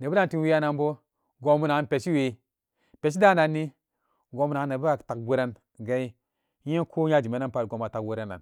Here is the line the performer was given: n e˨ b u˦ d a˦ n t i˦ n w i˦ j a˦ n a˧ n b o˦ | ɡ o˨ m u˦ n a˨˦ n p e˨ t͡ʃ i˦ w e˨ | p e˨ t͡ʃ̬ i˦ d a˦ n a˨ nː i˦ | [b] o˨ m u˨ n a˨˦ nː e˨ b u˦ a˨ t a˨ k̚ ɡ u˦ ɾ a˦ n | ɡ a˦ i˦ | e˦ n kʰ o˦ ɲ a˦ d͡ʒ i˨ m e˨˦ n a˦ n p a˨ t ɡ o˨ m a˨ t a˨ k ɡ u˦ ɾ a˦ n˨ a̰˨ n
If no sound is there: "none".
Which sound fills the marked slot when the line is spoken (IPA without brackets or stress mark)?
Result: ɡ